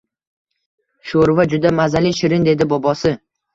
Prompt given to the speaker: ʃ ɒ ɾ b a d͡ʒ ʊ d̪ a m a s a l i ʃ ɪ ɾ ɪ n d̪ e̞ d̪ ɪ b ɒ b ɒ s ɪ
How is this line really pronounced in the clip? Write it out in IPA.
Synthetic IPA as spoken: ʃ o ɾ v a d͡ʒ ʊ d̪ a m a z a l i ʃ ɪ ɾ ɪ n d̪ e̞ d̪ ɪ b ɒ b ɒ s ɪ